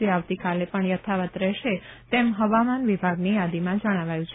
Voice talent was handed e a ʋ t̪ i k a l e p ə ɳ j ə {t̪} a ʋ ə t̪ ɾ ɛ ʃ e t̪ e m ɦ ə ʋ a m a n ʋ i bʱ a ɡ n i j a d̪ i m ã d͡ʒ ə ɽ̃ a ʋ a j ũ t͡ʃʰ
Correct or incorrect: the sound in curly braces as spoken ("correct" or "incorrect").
incorrect